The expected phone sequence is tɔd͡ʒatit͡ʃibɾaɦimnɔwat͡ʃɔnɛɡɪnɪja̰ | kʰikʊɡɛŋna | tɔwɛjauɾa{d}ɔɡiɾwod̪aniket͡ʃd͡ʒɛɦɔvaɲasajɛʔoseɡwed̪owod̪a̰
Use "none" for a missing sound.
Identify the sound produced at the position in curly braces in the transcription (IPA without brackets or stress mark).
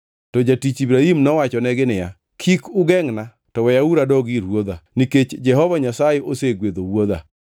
d